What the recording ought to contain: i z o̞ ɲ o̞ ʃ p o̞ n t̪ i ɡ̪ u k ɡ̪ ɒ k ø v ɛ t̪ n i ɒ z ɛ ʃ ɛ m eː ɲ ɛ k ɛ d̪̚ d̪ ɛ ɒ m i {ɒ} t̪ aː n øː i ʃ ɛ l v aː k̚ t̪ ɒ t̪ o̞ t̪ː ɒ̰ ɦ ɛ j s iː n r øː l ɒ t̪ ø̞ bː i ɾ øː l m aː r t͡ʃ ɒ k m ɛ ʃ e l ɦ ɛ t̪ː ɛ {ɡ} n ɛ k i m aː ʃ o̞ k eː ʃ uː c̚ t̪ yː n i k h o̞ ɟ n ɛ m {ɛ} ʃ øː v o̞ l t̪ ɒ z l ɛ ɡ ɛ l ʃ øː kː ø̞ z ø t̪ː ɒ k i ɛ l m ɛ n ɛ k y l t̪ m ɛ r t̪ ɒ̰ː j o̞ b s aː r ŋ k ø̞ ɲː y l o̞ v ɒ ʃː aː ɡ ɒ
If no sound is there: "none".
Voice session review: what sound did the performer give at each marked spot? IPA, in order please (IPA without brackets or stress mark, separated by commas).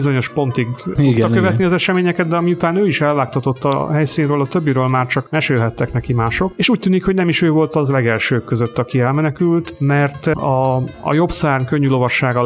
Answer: u, k, i